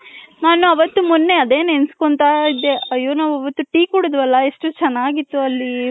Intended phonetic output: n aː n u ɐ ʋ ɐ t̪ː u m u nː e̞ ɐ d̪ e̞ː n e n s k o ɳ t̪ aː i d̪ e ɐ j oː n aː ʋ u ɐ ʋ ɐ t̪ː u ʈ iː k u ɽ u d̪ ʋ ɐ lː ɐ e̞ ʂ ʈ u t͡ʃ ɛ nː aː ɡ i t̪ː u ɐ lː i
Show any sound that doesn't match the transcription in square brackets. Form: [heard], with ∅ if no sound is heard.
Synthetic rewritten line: n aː n u ɐ ʋ ɐ t̪ː u m u nː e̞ ɐ d̪ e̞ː n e n s k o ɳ t̪ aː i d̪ e ɐ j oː n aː ʋ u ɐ ʋ ɐ t̪ː u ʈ iː k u ɽ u d̪ ʋ ɐ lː ɐ e̞ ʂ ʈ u t͡ʃ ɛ nː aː ɡ i t̪ː u ɐ lː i